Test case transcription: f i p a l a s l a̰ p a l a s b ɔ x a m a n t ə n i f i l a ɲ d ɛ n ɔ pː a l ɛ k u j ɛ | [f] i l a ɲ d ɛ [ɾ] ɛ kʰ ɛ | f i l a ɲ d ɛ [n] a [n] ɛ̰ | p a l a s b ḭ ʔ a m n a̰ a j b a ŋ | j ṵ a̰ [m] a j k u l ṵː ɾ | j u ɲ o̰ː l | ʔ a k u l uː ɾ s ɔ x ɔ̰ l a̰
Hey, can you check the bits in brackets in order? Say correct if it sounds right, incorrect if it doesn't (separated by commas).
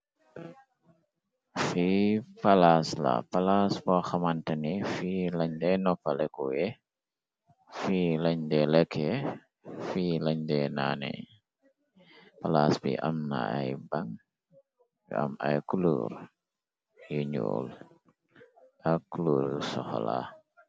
correct, incorrect, correct, correct, correct